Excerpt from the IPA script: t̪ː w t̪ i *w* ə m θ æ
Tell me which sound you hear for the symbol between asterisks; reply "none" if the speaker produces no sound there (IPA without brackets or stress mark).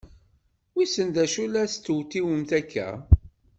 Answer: w